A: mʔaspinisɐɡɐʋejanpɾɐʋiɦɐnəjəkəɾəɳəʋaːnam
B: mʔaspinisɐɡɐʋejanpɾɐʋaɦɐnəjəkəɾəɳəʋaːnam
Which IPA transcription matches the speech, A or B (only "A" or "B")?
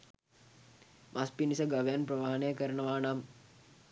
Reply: B